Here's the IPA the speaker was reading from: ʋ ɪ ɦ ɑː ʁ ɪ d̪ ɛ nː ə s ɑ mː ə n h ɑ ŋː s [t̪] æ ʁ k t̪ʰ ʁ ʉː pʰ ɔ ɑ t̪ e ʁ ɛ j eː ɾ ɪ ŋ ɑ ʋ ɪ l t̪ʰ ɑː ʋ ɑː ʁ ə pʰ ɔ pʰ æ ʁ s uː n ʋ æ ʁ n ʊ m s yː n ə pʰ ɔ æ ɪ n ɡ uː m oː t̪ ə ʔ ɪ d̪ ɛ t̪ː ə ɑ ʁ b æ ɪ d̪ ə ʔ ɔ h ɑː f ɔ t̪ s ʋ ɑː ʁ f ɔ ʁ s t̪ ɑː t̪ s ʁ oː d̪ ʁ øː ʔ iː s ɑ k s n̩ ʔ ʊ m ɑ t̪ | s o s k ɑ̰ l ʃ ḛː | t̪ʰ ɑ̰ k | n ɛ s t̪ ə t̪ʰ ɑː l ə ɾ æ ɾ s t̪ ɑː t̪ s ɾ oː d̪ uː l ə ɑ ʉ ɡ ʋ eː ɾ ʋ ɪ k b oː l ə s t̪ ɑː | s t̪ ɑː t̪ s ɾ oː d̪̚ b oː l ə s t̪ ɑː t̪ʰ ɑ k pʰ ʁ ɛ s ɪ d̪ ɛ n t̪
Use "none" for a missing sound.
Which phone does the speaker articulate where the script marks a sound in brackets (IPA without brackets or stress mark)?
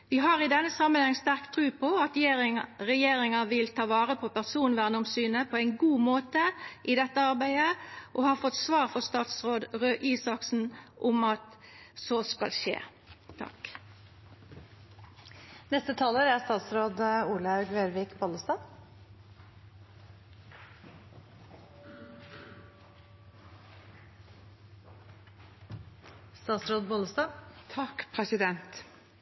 t̪